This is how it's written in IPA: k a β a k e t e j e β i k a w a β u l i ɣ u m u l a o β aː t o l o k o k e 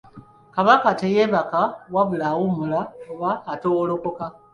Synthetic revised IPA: k a β a k a t e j e β a k a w a β u l a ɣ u m u l a o β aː t o l o k o k a